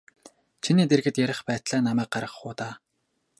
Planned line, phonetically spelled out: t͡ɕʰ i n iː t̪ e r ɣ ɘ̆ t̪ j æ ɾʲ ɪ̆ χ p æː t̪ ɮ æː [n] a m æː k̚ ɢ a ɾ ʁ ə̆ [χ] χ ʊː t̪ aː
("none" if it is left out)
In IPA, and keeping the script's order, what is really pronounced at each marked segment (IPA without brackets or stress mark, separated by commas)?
n, χ